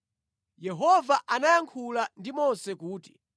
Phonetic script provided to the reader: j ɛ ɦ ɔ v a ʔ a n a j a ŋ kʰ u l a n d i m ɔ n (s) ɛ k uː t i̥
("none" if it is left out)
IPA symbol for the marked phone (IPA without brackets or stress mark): s